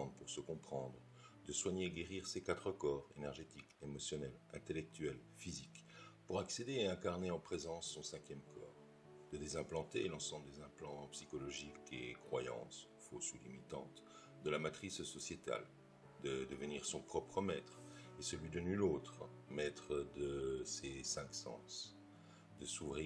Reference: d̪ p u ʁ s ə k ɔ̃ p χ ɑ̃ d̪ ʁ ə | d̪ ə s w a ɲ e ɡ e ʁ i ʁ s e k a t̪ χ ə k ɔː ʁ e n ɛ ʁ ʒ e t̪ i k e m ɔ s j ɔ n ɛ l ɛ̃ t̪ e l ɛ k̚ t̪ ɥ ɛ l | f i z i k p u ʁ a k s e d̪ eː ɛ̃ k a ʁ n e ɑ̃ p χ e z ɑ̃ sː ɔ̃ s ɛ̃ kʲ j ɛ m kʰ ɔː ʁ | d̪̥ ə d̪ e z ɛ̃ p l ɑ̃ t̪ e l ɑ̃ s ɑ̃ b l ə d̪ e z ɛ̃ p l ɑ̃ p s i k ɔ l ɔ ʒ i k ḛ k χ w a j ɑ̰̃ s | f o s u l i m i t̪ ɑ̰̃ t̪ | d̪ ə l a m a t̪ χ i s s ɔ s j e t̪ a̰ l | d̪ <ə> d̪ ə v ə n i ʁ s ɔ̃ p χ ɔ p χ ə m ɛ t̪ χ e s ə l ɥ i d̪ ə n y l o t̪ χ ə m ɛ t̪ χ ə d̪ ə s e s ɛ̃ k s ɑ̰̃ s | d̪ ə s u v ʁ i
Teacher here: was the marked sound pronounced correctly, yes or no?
yes